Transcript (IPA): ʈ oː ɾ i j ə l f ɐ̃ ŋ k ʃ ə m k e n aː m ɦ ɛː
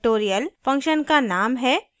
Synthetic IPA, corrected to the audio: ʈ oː ɾ i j ə l f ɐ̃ ŋ k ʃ ə n k a n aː m ɦ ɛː